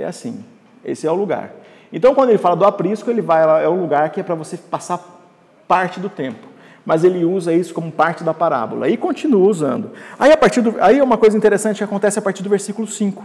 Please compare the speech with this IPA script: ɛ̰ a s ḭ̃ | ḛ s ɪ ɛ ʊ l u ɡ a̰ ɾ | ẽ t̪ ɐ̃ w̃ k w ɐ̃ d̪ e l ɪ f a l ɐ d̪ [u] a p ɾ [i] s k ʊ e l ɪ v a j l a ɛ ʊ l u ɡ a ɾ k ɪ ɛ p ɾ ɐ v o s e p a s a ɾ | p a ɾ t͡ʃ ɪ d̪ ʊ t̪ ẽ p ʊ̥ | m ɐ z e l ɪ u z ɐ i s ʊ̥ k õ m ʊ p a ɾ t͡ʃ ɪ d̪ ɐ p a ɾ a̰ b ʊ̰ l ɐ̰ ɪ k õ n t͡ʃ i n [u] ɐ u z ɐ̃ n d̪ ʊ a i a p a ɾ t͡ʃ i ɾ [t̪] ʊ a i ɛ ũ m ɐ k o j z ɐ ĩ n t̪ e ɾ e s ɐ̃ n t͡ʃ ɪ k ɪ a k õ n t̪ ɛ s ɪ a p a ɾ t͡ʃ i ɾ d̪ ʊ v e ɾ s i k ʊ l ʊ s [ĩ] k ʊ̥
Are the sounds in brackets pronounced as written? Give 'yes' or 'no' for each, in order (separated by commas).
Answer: no, yes, yes, no, yes